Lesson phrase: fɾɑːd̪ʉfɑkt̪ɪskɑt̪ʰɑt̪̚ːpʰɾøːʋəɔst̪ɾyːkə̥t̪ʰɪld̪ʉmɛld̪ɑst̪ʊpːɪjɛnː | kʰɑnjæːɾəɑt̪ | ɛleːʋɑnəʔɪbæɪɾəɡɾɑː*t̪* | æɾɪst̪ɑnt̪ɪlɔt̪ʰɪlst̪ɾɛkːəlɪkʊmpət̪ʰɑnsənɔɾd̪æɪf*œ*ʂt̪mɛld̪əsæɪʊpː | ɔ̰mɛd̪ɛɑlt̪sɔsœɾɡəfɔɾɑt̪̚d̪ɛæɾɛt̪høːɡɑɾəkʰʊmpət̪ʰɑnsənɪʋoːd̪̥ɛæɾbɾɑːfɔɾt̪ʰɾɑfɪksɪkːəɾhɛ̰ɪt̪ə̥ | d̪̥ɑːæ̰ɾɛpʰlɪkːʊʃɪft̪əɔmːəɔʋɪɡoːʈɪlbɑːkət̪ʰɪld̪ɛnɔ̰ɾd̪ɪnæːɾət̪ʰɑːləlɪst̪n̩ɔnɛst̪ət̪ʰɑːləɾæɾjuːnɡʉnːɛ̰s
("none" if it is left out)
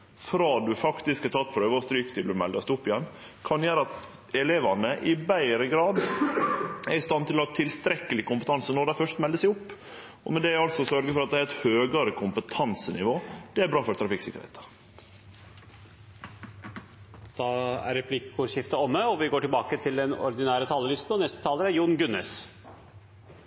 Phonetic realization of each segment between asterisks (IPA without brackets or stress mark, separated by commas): d̪, œ